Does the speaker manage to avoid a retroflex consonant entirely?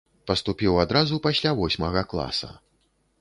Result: yes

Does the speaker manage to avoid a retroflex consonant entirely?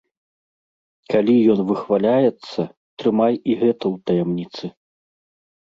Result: yes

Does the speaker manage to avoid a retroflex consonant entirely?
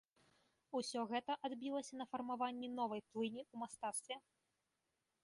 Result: yes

